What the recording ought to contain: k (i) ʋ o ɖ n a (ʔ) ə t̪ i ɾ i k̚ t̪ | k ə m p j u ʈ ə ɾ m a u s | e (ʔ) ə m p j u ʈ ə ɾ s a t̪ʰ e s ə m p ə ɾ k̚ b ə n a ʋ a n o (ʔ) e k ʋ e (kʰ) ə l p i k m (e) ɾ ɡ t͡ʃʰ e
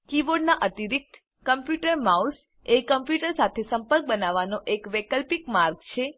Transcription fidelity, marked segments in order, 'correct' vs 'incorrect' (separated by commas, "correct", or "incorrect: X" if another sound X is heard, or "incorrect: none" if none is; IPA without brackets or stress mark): correct, correct, incorrect: k, correct, incorrect: k, incorrect: a